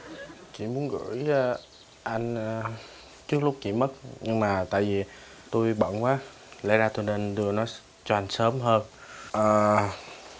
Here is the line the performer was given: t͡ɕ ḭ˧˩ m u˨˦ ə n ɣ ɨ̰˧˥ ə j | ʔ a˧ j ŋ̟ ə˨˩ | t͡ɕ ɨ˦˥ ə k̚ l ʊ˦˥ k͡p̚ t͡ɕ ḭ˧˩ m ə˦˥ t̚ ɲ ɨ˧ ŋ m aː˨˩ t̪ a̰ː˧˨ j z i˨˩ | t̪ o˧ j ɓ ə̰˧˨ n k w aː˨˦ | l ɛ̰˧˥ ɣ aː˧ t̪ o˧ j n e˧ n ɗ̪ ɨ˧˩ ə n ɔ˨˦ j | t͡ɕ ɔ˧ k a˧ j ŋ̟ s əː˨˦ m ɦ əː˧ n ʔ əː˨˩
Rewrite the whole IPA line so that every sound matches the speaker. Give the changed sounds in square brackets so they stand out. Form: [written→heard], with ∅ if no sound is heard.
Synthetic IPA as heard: t͡ɕ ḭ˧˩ m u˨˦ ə n ɣ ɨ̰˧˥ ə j | ʔ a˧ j ŋ̟ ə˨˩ | t͡ɕ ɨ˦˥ ə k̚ l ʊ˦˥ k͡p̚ t͡ɕ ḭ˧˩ m ə˦˥ t̚ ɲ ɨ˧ ŋ m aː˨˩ t̪ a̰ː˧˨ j [z→v] i˨˩ | t̪ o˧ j ɓ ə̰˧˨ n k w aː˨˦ | l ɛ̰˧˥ [ɣ→z] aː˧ t̪ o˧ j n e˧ n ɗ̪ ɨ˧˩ ə n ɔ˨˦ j | t͡ɕ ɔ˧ [k→ʔ] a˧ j ŋ̟ s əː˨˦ m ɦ əː˧ n ʔ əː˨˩

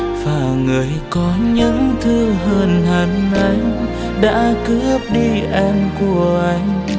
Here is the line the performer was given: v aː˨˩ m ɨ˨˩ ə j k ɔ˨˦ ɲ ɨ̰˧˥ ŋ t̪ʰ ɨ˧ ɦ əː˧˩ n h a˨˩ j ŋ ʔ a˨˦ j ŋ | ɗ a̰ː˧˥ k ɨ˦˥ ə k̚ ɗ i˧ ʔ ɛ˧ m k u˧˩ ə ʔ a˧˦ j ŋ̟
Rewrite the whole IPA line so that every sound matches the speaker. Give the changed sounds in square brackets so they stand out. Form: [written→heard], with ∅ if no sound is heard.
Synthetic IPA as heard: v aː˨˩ [m→ŋ] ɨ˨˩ ə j k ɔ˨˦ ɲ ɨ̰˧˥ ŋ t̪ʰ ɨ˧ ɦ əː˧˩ n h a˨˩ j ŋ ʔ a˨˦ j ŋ | ɗ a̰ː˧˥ k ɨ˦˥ ə [k̚→p̚] ɗ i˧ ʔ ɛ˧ m k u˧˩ ə ʔ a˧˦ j ŋ̟

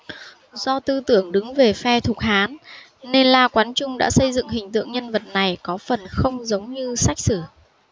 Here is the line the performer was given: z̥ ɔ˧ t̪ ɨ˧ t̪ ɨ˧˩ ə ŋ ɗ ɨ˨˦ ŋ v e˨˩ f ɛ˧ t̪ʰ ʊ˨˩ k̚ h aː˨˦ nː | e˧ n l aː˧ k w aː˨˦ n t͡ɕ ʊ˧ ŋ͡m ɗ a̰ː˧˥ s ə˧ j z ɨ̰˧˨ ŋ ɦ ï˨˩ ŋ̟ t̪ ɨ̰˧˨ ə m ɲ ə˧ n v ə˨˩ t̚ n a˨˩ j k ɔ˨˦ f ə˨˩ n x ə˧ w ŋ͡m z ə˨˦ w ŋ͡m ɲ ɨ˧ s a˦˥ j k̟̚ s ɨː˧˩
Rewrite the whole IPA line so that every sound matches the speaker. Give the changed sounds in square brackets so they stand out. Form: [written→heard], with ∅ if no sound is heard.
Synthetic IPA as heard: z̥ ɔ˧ t̪ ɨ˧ t̪ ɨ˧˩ ə ŋ ɗ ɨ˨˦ ŋ v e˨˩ f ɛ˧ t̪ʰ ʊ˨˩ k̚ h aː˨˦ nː | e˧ n l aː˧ k w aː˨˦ n t͡ɕ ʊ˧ ŋ͡m ɗ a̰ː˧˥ s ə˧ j z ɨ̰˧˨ ŋ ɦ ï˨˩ ŋ̟ t̪ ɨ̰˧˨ ə [m→ŋ] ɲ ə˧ n v ə˨˩ t̚ n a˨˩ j k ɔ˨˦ f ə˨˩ n x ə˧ w ŋ͡m z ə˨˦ w ŋ͡m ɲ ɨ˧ s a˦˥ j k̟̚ s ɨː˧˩

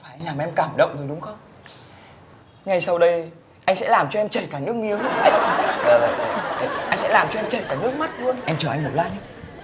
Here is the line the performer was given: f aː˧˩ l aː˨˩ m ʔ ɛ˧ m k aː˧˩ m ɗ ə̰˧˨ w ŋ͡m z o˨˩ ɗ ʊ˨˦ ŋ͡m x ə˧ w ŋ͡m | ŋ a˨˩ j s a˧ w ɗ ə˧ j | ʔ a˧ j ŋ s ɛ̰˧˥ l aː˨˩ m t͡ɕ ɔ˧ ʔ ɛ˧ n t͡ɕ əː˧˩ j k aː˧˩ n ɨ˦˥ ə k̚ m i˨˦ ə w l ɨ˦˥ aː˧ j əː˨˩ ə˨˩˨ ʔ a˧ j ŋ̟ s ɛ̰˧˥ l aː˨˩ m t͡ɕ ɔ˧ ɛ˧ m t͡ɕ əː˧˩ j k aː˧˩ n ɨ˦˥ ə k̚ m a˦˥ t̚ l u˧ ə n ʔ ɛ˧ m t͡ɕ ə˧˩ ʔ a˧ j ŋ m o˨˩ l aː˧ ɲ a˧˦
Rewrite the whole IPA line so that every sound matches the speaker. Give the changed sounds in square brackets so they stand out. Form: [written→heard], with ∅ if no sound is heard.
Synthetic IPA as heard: f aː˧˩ l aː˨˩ m ʔ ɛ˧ m k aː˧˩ m ɗ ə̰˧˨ w ŋ͡m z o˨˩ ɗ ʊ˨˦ ŋ͡m x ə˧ w ŋ͡m | ŋ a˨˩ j s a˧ w ɗ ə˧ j | ʔ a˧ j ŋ s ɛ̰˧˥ l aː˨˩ m t͡ɕ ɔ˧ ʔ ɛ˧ [n→m] t͡ɕ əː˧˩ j k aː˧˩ n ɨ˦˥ ə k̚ m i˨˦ ə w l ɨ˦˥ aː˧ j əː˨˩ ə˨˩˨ ʔ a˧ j ŋ̟ s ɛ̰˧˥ l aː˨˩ m t͡ɕ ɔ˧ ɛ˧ m t͡ɕ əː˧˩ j k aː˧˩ n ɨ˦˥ ə k̚ m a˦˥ t̚ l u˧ ə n ʔ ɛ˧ m t͡ɕ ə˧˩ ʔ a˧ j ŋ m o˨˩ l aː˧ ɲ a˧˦

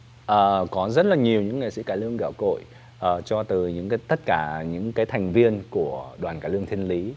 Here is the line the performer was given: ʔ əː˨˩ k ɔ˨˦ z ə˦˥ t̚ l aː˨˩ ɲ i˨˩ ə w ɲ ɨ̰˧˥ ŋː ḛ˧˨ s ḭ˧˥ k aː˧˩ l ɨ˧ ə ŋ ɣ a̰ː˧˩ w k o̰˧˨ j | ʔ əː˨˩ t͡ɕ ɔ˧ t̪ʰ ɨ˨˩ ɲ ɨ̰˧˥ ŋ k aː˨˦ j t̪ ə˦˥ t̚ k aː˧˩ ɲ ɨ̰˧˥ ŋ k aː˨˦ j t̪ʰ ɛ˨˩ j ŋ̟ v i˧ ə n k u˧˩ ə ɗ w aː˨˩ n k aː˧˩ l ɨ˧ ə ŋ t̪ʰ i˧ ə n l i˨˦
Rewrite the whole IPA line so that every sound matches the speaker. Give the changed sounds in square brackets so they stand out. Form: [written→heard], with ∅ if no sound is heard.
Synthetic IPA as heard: ʔ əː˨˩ k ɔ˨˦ z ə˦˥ t̚ l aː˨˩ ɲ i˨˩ ə w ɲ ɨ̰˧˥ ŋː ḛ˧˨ s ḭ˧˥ k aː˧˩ l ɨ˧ ə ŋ ɣ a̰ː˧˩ w k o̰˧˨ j | ʔ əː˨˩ t͡ɕ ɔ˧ [t̪ʰ→t̪] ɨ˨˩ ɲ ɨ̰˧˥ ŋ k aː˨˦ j t̪ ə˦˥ t̚ k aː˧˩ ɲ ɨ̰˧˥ ŋ k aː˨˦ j t̪ʰ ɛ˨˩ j ŋ̟ v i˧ ə n k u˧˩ ə ɗ w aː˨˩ n k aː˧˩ l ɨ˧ ə ŋ t̪ʰ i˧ ə n l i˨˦

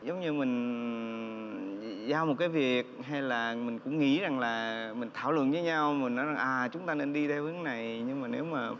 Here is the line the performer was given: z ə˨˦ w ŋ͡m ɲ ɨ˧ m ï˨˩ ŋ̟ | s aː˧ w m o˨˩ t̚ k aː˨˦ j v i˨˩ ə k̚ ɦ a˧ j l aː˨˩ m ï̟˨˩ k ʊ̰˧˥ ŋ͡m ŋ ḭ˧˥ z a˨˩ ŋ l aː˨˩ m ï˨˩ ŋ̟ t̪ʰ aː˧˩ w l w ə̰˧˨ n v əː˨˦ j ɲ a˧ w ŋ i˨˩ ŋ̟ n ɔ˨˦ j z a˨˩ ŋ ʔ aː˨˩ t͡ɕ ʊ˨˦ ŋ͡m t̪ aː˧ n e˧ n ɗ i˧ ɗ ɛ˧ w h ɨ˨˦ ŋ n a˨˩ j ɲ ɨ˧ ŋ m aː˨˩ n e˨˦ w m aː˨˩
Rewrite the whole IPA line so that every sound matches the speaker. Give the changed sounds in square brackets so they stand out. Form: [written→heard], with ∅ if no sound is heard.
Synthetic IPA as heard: z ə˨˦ w ŋ͡m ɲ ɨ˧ m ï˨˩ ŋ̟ | [s→z] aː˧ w m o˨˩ t̚ k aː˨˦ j v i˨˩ ə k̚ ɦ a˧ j l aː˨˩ m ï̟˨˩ k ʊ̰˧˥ ŋ͡m ŋ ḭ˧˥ z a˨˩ ŋ l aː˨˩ m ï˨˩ ŋ̟ t̪ʰ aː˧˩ w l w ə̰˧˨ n v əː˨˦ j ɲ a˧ w [ŋ→m] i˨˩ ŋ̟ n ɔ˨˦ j z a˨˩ ŋ ʔ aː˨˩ t͡ɕ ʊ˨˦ ŋ͡m t̪ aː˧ n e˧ n ɗ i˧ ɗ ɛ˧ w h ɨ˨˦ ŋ n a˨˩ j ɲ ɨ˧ ŋ m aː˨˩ n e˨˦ w m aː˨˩

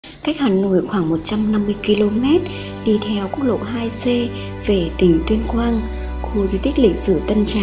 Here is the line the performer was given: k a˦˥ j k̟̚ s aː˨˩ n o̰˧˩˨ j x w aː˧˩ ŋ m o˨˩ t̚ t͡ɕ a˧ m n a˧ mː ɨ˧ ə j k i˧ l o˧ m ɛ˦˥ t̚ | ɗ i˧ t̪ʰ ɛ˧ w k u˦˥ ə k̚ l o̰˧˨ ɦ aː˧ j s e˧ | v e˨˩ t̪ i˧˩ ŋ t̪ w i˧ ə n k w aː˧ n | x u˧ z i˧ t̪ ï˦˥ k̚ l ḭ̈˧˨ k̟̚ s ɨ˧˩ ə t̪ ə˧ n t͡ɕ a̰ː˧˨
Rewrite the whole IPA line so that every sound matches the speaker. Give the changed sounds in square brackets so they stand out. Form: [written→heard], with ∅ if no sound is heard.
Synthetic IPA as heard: k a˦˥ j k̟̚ [s→h] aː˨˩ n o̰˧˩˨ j x w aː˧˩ ŋ m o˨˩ t̚ t͡ɕ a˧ m n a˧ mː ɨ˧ ə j k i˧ l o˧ m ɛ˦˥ t̚ | ɗ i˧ t̪ʰ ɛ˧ w k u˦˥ ə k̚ l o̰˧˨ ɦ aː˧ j s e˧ | v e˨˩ t̪ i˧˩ ŋ t̪ w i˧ ə n k w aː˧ n | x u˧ z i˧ t̪ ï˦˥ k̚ l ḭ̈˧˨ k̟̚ s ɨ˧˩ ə t̪ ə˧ n t͡ɕ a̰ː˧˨

